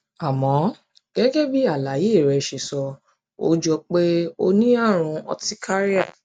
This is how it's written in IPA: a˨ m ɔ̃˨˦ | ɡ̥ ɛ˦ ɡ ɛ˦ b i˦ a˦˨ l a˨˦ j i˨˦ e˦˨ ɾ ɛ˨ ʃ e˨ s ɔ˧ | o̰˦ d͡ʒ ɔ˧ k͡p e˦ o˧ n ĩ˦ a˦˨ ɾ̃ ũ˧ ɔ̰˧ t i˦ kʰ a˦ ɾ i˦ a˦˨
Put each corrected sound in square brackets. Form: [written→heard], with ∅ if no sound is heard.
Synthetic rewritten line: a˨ m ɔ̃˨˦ | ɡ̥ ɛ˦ ɡ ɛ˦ b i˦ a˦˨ l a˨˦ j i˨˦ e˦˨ ɾ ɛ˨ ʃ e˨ s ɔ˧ | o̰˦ d͡ʒ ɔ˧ k͡p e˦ o˧ n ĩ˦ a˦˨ ɾ̃ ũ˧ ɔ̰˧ t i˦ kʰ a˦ ɾ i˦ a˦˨